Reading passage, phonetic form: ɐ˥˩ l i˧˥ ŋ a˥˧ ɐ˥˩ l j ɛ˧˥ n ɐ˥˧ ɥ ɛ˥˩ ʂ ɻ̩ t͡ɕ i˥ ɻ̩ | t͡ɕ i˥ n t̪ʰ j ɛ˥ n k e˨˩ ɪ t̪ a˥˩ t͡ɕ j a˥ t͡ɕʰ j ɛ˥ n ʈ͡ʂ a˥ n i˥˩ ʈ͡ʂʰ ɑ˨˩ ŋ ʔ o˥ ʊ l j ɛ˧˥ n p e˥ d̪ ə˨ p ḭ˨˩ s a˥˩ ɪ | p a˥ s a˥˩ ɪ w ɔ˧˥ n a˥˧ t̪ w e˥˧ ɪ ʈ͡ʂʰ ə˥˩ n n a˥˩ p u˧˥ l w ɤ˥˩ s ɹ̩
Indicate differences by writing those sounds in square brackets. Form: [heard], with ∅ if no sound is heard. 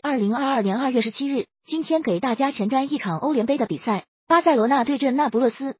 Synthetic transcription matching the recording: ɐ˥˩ l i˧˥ ŋ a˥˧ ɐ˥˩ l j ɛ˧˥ n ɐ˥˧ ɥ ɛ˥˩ ʂ ɻ̩ [t͡ɕʰ] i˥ ɻ̩ | t͡ɕ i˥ n t̪ʰ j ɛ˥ n k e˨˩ ɪ t̪ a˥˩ t͡ɕ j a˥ t͡ɕʰ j [ɛ˧˥] n ʈ͡ʂ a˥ n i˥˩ ʈ͡ʂʰ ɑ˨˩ ŋ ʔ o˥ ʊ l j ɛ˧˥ n p e˥ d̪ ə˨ p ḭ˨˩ s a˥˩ ɪ | p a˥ s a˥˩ ɪ w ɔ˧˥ n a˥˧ t̪ w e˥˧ ɪ [ʈ͡ʂ] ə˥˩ n n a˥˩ p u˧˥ l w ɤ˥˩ s ɹ̩